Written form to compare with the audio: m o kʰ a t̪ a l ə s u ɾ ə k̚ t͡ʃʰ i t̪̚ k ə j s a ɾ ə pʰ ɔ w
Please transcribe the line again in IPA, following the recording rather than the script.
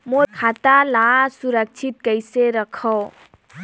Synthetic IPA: m o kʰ a t̪ a l a s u ɾ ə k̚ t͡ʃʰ i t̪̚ k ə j s e ɾ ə kʰ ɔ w

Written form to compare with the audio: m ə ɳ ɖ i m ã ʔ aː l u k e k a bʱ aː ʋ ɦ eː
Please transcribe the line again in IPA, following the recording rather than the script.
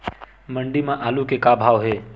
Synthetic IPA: m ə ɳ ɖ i m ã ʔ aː l u k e k a bʱ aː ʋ ɦ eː

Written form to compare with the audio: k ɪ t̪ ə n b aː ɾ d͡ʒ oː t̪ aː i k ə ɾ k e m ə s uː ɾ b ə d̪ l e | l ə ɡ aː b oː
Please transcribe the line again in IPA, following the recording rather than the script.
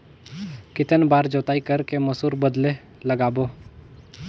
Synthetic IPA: k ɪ t̪ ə n b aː ɾ d͡ʒ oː t̪ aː i k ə ɾ k e m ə s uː ɾ b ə d̪ l e | l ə ɡ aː b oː

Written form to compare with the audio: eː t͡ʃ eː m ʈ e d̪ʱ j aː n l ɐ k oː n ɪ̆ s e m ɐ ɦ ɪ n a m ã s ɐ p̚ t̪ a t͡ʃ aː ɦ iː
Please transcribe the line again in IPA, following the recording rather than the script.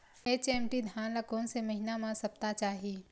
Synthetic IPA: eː t͡ʃ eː m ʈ i d̪ʱ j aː n l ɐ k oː n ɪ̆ s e m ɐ ɦ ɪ n a m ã s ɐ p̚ t̪ a t͡ʃ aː ɦ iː

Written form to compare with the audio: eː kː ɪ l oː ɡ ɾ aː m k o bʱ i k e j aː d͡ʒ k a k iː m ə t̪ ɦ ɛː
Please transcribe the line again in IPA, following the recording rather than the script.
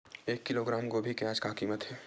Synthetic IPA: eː kː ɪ l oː ɡ ɾ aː m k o bʱ i k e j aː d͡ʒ k a k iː m ə t̪ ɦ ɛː

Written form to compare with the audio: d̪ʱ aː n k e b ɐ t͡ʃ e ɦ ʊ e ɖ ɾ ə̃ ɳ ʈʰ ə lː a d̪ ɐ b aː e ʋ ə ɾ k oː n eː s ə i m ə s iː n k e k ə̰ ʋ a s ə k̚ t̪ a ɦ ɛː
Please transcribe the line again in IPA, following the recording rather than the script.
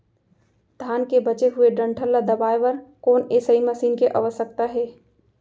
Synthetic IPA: d̪ʱ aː n k e b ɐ t͡ʃ e ɦ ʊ e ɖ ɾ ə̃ ɳ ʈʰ ə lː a d̪ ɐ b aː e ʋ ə ɾ k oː n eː s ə i m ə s iː n k e ʔ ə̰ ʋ ə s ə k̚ t̪ a ɦ ɛː

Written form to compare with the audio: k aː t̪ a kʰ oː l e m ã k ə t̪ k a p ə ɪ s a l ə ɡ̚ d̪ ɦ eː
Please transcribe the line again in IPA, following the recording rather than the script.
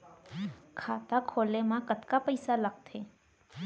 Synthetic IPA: kʰ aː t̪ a kʰ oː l e m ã k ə t̪ k a p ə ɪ s a l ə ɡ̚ t̪ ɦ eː

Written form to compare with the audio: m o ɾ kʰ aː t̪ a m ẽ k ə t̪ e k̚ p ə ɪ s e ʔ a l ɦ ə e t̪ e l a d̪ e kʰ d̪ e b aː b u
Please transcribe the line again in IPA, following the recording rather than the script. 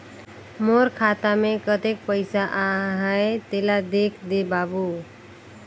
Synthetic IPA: m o ɾ kʰ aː t̪ a m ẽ k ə t̪ e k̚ p ə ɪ s a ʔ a ɦ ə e t̪ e l a d̪ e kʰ d̪ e b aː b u

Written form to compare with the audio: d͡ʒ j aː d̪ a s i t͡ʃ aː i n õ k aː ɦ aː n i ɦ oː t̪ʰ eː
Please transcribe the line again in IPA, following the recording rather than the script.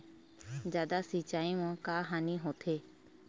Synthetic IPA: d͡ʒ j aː d̪ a s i t͡ʃ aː i m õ k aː ɦ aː n i ɦ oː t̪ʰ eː

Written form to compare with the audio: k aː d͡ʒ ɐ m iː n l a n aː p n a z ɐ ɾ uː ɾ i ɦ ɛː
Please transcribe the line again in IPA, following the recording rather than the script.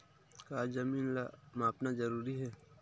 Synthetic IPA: k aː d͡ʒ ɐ m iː n l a m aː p n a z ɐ ɾ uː ɾ i ɦ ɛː

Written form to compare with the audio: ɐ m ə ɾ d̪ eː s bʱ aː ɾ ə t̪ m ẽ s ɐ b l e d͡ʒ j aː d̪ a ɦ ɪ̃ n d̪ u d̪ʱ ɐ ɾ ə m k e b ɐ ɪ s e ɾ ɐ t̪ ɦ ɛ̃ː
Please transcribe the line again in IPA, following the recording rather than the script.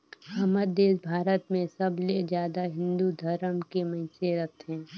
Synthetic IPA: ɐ m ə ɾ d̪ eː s bʱ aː ɾ ə t̪ m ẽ s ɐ b l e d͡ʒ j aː d̪ a ɦ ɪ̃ n d̪ u d̪ʱ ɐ ɾ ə m k e m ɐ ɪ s e ɾ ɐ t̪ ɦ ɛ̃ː

